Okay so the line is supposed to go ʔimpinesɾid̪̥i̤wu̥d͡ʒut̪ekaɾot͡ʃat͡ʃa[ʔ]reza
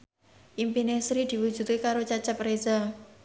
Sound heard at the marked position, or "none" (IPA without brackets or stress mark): p